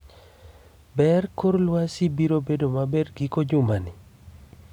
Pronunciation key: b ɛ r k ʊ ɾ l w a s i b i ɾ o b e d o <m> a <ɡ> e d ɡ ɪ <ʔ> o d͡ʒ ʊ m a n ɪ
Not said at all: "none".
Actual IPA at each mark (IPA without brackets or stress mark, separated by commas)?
m, b, k